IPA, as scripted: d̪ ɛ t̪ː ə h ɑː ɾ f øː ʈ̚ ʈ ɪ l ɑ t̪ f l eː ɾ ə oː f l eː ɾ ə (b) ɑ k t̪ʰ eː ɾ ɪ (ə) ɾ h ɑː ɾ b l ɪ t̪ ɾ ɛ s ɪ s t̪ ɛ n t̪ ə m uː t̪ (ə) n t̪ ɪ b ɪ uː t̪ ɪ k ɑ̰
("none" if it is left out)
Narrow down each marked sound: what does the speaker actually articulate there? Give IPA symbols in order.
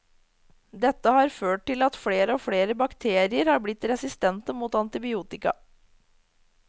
b, ə, ɑ

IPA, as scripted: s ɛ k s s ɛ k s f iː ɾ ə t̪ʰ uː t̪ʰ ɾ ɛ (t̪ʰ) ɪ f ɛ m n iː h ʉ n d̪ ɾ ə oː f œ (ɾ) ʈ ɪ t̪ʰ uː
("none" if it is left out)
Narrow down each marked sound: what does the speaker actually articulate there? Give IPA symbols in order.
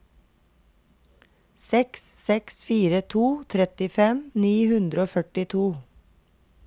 t̪, none

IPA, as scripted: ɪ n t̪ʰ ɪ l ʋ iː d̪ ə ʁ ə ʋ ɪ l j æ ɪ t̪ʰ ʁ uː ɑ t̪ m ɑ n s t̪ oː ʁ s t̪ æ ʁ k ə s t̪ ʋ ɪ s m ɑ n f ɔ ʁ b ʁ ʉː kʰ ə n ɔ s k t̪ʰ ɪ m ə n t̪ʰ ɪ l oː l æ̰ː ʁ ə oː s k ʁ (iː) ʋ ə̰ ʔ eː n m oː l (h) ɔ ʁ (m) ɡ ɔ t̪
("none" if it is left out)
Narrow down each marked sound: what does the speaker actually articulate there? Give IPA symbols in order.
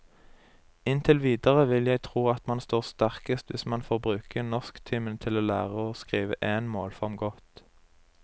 iː, f, m

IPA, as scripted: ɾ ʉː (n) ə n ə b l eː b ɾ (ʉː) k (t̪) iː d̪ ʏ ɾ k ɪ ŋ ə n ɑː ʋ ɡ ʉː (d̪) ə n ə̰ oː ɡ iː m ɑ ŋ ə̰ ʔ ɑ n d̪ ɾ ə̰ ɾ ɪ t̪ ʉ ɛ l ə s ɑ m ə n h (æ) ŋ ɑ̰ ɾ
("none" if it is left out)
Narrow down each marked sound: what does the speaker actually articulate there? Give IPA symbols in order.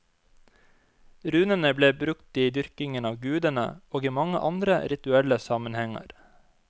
n, ʉ, t̪, d̪, ɛ

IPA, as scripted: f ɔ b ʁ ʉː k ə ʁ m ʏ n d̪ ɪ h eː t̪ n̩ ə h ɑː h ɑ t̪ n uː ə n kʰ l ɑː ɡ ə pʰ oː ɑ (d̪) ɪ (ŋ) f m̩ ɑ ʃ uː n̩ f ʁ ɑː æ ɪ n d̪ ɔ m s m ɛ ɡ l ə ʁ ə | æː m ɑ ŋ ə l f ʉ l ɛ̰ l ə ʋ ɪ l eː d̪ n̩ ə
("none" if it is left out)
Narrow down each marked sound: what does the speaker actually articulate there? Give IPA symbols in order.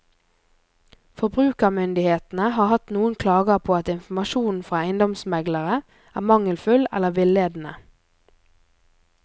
t̪, n

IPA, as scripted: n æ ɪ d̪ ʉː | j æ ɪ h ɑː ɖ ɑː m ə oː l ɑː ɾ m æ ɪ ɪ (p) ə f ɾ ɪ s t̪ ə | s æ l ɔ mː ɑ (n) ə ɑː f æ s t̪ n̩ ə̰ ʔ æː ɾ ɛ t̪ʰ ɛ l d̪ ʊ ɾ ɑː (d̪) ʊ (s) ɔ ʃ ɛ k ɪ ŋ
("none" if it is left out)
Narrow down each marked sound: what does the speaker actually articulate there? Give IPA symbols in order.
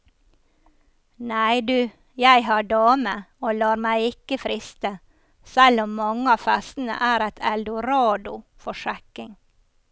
k, ŋ, d̪, f

